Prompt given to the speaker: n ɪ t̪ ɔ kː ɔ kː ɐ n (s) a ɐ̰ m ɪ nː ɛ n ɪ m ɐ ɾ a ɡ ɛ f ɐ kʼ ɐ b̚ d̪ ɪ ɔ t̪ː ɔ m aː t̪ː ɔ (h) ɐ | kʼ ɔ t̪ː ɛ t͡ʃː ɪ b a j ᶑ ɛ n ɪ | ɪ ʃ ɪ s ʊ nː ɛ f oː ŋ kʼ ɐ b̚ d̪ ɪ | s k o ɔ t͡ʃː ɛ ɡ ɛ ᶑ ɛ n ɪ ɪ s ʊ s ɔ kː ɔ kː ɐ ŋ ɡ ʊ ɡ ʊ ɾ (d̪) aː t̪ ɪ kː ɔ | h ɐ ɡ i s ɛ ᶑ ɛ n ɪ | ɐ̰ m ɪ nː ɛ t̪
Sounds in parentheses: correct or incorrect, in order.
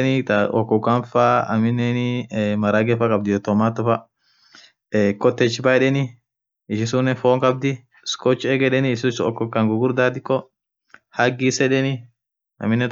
incorrect, incorrect, correct

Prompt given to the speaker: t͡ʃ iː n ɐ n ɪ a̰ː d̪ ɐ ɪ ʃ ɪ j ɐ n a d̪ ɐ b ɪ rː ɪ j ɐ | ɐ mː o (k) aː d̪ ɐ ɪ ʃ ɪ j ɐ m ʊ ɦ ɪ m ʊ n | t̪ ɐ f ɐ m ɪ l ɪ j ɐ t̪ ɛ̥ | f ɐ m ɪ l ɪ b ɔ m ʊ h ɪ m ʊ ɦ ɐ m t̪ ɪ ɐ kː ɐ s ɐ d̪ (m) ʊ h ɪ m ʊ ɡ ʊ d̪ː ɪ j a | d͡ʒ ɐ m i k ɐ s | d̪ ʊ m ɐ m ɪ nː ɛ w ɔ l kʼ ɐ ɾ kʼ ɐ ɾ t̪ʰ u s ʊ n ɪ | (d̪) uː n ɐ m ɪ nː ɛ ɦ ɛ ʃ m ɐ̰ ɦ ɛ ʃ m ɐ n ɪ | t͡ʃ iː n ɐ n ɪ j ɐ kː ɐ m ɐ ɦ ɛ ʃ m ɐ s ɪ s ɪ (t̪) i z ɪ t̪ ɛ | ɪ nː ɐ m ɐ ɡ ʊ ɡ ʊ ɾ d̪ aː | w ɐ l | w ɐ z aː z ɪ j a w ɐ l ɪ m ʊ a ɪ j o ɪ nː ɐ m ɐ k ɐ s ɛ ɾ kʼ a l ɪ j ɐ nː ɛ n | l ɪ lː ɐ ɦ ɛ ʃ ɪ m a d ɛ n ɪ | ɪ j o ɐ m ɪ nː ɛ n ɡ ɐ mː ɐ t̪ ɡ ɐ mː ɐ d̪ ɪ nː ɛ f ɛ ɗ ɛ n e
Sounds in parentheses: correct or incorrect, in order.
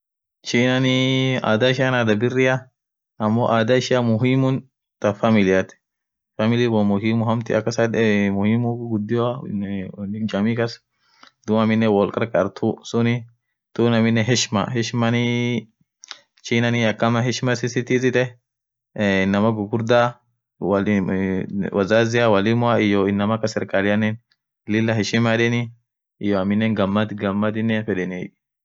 incorrect, correct, incorrect, correct

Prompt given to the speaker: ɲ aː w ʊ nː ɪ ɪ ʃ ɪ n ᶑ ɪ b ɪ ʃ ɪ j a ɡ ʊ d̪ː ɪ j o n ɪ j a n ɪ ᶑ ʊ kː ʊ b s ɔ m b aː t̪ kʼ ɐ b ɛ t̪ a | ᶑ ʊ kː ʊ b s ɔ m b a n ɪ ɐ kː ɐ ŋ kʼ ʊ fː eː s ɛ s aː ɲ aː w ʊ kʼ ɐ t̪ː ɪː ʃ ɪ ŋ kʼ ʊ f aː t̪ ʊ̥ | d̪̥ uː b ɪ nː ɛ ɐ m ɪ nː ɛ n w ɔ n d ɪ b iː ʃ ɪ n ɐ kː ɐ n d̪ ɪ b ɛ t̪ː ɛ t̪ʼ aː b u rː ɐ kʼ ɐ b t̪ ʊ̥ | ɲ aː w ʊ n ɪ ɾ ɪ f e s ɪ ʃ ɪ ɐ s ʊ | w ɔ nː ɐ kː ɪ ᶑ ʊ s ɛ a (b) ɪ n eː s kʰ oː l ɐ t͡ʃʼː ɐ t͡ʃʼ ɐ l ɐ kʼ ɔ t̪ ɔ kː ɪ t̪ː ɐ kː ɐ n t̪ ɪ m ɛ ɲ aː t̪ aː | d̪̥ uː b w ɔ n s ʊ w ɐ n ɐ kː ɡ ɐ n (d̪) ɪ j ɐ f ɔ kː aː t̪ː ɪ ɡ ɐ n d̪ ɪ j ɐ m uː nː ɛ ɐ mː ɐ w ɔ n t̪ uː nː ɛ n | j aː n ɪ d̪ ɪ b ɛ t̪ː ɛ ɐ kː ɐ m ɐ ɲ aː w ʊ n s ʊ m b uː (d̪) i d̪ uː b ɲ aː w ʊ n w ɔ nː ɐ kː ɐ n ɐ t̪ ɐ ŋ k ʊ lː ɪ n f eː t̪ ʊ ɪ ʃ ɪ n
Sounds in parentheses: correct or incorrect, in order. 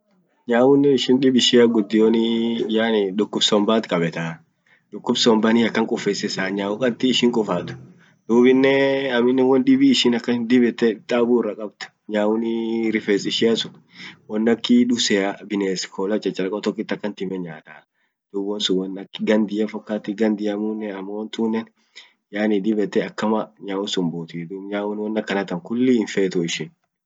correct, correct, incorrect

